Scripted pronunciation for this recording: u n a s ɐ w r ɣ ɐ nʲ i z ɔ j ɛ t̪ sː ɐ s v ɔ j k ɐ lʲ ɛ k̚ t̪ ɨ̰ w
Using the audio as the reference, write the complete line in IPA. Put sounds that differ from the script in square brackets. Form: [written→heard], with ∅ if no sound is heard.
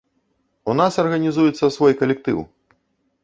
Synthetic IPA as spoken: u n a s ɐ [w→∅] r ɣ ɐ nʲ i z [ɔ→u] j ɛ t̪ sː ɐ s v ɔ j k ɐ lʲ ɛ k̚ t̪ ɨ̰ w